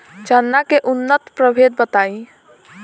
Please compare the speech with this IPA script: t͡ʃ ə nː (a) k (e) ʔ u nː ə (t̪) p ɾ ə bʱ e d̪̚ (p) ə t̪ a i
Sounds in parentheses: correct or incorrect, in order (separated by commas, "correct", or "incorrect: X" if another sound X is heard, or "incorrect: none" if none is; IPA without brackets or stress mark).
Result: correct, correct, correct, incorrect: b